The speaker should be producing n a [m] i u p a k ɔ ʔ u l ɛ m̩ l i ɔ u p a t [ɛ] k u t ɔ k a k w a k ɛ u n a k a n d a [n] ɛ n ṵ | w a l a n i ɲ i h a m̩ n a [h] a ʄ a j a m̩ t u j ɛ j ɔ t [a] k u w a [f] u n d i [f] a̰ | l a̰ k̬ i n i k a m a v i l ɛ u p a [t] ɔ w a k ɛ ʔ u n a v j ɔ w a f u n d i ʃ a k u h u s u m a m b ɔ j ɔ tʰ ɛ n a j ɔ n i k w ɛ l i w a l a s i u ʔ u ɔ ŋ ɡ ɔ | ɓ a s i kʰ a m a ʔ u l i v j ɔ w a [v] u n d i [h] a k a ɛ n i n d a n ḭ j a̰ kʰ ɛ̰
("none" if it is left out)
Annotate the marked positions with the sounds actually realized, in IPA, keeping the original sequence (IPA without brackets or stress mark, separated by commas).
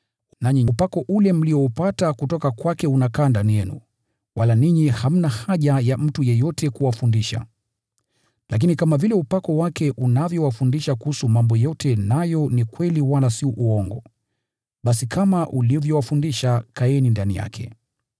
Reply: ɲ, a, n, h, ɛ, f, ʃ, k, f, ʃ